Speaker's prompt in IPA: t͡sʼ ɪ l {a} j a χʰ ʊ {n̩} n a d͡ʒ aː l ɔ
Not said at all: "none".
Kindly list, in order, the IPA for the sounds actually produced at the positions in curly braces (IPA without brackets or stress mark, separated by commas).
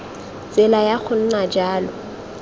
a, n̩